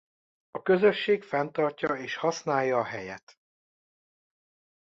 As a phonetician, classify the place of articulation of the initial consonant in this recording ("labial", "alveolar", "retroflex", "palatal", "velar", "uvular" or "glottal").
velar